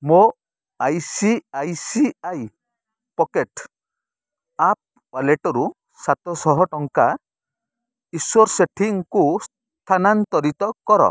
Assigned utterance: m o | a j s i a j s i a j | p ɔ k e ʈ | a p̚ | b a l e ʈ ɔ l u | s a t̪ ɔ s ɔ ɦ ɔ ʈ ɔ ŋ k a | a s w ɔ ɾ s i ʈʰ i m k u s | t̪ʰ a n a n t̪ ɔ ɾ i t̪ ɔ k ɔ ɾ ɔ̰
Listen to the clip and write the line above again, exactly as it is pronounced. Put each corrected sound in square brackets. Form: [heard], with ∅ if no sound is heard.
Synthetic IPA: m o | a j s i a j s i a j | p ɔ k e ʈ | a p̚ | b a l e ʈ ɔ [ɾ] u | s a t̪ ɔ s ɔ ɦ ɔ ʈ ɔ ŋ k a | [i] s w ɔ ɾ s [e] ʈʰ i [ŋ] k u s | t̪ʰ a n a n t̪ ɔ ɾ i t̪ ɔ k ɔ ɾ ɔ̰